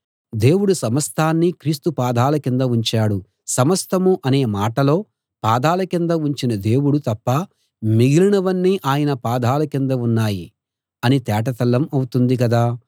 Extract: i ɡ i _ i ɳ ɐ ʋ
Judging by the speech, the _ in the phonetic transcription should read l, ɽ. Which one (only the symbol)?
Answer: l